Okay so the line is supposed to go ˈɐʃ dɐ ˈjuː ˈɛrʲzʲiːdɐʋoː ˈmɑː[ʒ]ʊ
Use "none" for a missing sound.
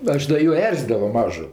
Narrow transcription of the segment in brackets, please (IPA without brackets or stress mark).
ʒ